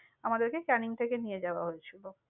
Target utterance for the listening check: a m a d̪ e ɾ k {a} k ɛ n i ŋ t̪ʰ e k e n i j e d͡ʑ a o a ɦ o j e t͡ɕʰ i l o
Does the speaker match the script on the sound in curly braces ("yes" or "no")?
no